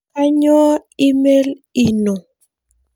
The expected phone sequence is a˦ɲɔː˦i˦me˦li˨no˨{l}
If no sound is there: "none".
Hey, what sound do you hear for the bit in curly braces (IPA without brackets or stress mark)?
none